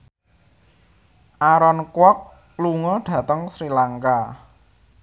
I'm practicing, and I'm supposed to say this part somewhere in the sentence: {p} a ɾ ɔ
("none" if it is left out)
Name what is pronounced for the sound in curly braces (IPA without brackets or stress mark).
ʔ